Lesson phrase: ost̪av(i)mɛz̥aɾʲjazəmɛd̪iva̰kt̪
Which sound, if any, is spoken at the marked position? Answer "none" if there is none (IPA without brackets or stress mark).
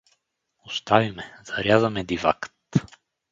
i